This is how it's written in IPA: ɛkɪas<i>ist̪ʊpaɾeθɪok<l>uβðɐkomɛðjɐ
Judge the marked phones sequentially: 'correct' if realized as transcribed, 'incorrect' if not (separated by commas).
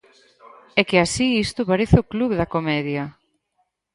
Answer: correct, correct